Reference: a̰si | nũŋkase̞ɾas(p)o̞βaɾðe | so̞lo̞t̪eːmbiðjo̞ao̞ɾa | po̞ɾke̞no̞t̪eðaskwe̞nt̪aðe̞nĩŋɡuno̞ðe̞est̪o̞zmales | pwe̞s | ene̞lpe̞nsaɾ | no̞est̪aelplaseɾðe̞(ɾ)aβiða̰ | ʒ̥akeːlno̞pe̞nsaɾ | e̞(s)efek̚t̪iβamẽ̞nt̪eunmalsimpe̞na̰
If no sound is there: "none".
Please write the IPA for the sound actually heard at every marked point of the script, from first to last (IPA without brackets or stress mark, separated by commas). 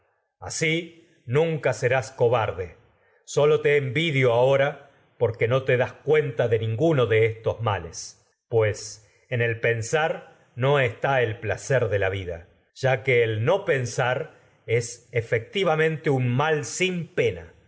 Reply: k, l, s